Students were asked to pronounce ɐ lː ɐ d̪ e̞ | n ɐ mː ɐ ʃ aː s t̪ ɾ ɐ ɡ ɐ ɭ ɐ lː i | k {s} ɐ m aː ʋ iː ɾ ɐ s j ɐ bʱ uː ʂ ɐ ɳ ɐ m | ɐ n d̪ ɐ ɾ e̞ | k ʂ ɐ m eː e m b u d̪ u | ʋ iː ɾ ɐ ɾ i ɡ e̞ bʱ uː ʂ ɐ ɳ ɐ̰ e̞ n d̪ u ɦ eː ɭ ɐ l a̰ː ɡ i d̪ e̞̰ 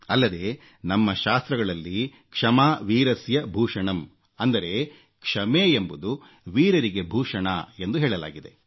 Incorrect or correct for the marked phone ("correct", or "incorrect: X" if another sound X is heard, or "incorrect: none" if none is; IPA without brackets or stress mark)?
incorrect: ʂ